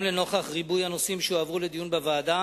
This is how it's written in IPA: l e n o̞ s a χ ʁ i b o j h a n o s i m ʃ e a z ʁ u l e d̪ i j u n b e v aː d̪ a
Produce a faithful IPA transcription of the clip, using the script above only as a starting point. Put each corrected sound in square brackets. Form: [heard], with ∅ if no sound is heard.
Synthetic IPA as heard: l e n o̞ [χ] a χ ʁ i b [u] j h a n o s i m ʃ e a [v] ʁ u l e d̪ i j u n b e v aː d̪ a